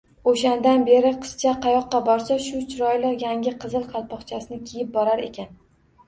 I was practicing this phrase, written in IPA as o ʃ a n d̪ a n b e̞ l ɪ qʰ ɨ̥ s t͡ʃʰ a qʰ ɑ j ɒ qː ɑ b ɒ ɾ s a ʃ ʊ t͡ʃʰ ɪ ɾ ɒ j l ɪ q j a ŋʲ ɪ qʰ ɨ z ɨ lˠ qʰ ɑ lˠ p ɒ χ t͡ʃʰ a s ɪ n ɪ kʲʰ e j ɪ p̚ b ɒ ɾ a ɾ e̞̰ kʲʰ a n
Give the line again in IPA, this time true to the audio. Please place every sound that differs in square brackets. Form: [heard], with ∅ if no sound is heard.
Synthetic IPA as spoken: o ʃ a n d̪ a n b e̞ [ɾ] ɪ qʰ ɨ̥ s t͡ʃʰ a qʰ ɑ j ɒ qː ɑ b ɒ ɾ s a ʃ ʊ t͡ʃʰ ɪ ɾ ɒ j l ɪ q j a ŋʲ ɪ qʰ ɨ z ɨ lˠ qʰ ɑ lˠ p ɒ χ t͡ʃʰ a s ɪ n ɪ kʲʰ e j ɪ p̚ b ɒ ɾ a ɾ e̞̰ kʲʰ a n